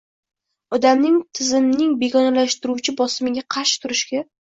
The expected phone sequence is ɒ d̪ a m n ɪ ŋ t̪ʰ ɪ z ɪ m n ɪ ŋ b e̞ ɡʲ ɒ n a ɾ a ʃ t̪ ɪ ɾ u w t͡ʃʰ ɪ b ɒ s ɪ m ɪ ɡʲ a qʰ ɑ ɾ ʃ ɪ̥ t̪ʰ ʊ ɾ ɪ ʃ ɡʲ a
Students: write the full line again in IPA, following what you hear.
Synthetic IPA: ɒ d̪ a m n ɪ ŋ t̪ʰ ɪ z ɪ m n ɪ ŋ b e̞ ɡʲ ɒ n a l a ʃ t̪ ɪ ɾ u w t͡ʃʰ ɪ b ɒ s ɪ m ɪ ɡʲ a qʰ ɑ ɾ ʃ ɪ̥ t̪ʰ ʊ ɾ ɪ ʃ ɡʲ a